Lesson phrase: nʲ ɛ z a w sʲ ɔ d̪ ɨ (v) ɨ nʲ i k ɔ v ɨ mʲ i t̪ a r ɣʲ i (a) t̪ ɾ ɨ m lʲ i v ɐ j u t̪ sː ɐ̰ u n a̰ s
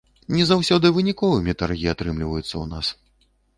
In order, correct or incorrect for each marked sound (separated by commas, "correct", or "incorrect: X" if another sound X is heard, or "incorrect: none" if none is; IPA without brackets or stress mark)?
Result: correct, correct